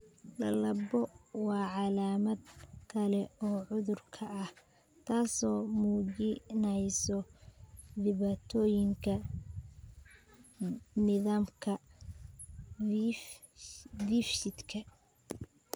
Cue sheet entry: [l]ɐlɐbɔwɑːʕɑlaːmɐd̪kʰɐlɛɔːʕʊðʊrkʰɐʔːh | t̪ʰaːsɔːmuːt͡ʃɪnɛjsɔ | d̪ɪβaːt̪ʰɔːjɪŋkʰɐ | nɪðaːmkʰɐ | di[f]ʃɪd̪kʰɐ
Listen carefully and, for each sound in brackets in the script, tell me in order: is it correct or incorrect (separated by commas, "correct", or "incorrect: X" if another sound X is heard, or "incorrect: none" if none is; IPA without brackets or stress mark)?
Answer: correct, correct